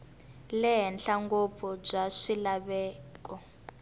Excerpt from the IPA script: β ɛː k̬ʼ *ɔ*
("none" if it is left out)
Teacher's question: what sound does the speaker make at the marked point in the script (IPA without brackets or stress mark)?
ɔ